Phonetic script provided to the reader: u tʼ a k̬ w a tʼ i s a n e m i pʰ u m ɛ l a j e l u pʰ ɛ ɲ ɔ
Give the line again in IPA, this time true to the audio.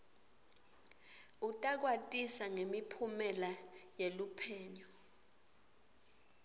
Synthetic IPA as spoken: u tʼ a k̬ w a tʼ i s a ŋ e m i pʰ u m ɛ l a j e l u pʰ ɛː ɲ ɔ